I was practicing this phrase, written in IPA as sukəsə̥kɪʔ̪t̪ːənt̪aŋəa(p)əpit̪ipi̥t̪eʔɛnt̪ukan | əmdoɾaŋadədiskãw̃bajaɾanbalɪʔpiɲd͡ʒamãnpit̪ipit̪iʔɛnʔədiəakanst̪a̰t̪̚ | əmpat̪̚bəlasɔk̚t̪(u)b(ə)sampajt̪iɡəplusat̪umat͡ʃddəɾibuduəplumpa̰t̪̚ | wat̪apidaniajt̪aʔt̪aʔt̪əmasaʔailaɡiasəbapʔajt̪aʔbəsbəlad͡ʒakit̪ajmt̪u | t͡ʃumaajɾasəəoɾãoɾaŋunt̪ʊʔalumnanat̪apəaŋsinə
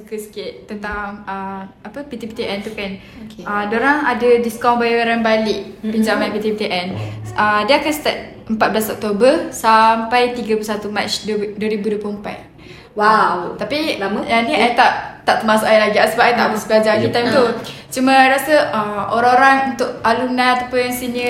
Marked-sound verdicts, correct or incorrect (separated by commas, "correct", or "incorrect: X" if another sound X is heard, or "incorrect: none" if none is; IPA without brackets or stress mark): correct, incorrect: o, correct